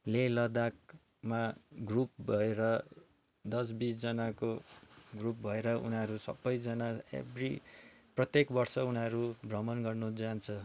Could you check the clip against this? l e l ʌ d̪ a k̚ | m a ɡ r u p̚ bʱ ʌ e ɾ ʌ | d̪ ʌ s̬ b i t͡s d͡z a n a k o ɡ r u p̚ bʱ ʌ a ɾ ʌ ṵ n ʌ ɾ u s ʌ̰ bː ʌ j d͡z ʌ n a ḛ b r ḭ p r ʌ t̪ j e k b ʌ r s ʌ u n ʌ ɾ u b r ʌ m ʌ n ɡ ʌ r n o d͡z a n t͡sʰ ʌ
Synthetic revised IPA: l e l ʌ d̪ a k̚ | m a ɡ r u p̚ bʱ ʌ e ɾ ʌ | d̪ ʌ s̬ b i t͡s d͡z ʌ n a k o ɡ r u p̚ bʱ ʌ e ɾ ʌ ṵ n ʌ ɾ u s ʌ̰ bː ʌ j d͡z ʌ n a ḛ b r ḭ p r ʌ t̪ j e k b ʌ r s ʌ u n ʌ ɾ u b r ʌ m ʌ n ɡ ʌ r n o d͡z a n t͡sʰ ʌ

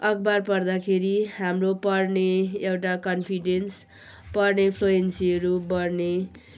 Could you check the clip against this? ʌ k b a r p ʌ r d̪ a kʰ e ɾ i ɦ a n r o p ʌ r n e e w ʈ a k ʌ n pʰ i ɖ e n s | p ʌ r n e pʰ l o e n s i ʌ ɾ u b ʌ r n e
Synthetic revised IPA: ʌ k b a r p ʌ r d̪ a kʰ e ɾ i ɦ a m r o p ʌ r n e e w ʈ a k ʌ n pʰ i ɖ e n s | p ʌ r n e pʰ l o e n s i ʌ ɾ u b ʌ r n e

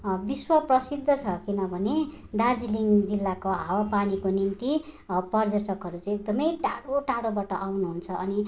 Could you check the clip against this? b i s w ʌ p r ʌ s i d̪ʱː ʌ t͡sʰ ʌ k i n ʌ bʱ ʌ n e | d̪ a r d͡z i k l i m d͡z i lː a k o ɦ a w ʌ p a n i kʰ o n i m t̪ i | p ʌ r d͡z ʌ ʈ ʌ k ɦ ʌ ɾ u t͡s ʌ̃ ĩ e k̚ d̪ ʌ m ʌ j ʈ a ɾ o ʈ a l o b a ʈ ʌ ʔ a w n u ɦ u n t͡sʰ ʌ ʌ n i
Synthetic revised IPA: b i s w ʌ p r ʌ s i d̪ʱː ʌ t͡sʰ ʌ k i n ʌ bʱ ʌ n e | d̪ a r d͡z i l i ŋ d͡z i lː a k o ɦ a w a p a n i k o n i m t̪ i | p ʌ r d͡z ʌ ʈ ʌ k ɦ ʌ ɾ u t͡s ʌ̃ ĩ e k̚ d̪ ʌ m ʌ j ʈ a ɽ o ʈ a ɽ o b a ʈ ʌ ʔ a w n u ɦ u n t͡sʰ ʌ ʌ n i

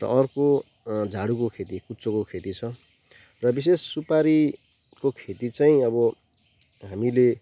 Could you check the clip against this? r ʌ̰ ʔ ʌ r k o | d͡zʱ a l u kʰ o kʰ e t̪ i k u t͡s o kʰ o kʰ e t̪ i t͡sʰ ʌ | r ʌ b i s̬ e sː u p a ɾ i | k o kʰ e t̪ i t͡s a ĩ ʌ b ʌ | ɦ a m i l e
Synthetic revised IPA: r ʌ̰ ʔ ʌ r k o | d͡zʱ a ɽ u k o kʰ e t̪ i k u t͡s o k o kʰ e t̪ i t͡sʰ ʌ | r ʌ b i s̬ e sː u p a ɾ i | k o kʰ e t̪ i t͡s a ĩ ʌ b ʌ | ɦ a m i l e

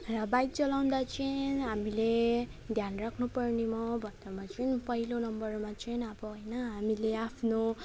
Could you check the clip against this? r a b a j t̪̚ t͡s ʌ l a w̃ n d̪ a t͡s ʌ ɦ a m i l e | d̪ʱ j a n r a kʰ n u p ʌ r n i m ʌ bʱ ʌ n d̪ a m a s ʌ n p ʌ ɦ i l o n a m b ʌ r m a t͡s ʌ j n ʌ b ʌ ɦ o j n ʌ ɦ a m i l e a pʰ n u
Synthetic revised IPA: r ʌ b a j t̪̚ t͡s ʌ l a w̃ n d̪ a t͡s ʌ ɦ a m i l e | d̪ʱ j a n r a kʰ n u p ʌ r n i m ʌ bʱ ʌ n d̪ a m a t͡s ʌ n p ʌ ɦ i l o n ʌ m b ʌ r m a t͡s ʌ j n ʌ b ʌ ɦ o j n ʌ ɦ a m i l e a pʰ n o

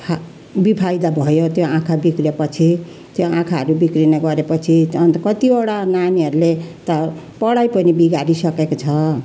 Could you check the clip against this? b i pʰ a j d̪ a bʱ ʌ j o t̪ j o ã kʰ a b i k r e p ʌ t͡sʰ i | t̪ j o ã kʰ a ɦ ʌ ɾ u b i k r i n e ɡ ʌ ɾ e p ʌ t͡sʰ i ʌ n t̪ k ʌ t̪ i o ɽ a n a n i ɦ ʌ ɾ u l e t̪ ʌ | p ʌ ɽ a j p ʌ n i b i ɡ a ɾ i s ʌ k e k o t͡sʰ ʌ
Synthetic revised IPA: b i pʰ a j d̪ a bʱ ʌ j o t̪ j o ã kʰ a b i k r e p ʌ t͡sʰ i | t̪ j o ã kʰ a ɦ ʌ ɾ u b i k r i n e ɡ ʌ ɾ e p ʌ t͡sʰ i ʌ n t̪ k ʌ t̪ i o ɽ a n a n i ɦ ʌ ɾ u l e t̪ ʌ | p ʌ ɽ a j p ʌ n i b i ɡ a ɾ i s ʌ k e k o t͡sʰ ʌ

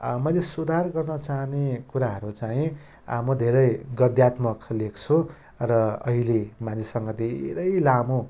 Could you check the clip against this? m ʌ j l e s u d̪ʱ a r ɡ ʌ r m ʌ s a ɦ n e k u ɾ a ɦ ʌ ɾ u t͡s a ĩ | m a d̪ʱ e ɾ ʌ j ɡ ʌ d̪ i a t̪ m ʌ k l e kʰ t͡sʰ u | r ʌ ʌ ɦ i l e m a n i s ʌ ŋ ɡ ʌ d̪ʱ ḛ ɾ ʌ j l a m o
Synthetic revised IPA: m ʌ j l e s u d̪ʱ a r ɡ ʌ r n ʌ t͡s a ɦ n e k u ɾ a ɦ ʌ ɾ u t͡s a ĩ | m ʌ d̪ʱ e ɾ ʌ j ɡ ʌ d̪ j a t̪ m ʌ k l e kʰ t͡sʰ u | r ʌ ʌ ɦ i l e m a n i s ʌ ŋ ɡ ʌ d̪ʱ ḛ ɾ ʌ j l a m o

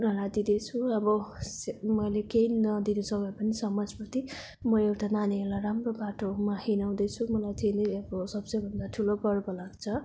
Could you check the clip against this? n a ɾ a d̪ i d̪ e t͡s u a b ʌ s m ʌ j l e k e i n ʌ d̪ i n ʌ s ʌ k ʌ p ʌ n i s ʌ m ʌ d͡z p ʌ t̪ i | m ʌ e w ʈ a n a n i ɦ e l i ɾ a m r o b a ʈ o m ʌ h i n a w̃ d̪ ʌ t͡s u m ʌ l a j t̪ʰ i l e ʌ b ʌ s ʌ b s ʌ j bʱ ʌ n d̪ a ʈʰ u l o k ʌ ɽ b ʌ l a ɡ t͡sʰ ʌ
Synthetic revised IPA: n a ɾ a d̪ i d̪ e t͡sʰ u ʌ b ʌ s m ʌ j l e k e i n ʌ d̪ i n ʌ s ʌ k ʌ p ʌ n i s ʌ m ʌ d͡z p ʌ t̪ i | m ʌ e w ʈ a n a n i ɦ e l a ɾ a m r o b a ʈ o m a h i n a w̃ d̪ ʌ t͡sʰ u m ʌ l a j t̪ʰ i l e ʌ b ʌ s ʌ b s ʌ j bʱ ʌ n d̪ a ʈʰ u l o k ʌ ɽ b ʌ l a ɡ t͡sʰ ʌ

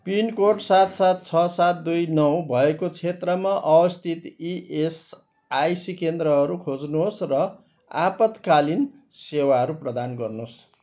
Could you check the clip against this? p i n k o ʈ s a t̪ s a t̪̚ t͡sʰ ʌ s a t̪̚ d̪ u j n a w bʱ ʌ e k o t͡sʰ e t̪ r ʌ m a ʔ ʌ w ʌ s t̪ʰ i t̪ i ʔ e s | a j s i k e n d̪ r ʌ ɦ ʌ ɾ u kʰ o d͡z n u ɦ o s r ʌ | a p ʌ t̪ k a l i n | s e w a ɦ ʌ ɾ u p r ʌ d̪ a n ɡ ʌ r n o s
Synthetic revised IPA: p i n k o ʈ s a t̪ s a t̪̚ t͡sʰ ʌ s a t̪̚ d̪ u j n ʌ w bʱ ʌ e k o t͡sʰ e t̪ r ʌ m a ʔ ʌ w ʌ s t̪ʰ i t̪ i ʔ e s | a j s i k e n d̪ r ʌ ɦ ʌ ɾ u kʰ o d͡z n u ɦ o s r ʌ | a p ʌ t̪ k a l i n | s e w a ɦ ʌ ɾ u p r ʌ d̪ a n ɡ ʌ r n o s

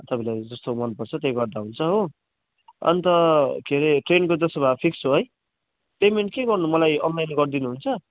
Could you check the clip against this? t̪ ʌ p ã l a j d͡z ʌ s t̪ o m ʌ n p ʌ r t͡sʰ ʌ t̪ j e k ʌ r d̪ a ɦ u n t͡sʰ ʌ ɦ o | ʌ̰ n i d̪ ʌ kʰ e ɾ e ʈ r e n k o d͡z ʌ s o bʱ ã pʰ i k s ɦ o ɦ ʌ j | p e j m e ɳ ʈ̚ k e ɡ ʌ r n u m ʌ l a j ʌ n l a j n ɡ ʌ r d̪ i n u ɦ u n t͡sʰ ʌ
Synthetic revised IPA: t̪ ʌ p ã l a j d͡z ʌ s t̪ o m ʌ n p ʌ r t͡sʰ ʌ t̪ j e ɡ ʌ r d̪ a ɦ u n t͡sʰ ʌ ɦ o | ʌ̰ n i t̪ ʌ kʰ e ɾ e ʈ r e n k o d͡z ʌ s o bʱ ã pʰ i k s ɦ o ɦ ʌ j | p e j m e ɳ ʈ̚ k e ɡ ʌ r n u m ʌ l a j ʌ n l a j n ɡ ʌ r d̪ i n u ɦ u n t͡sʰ ʌ

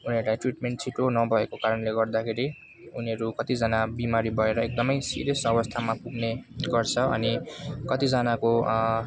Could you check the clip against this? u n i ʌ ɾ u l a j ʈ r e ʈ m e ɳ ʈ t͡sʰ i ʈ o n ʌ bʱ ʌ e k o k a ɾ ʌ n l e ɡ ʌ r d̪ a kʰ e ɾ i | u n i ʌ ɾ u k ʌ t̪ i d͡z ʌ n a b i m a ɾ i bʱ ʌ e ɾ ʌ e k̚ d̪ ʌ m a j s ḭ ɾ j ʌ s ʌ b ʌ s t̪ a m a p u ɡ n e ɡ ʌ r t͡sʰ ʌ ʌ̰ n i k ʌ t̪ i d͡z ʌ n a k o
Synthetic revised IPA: u n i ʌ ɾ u l a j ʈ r i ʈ m e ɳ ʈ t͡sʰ i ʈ o n ʌ bʱ ʌ e k o k a ɾ ʌ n l e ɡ ʌ r d̪ a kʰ e ɾ i | u n i ʌ ɾ u k ʌ t̪ i d͡z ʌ n a b i m a ɾ i bʱ ʌ e ɾ ʌ e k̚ d̪ ʌ m ʌ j s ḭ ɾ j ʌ s ʌ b ʌ s t̪ʰ a m a p u ɡ n e ɡ ʌ r t͡sʰ ʌ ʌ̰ n i k ʌ t̪ i d͡z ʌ n a k o

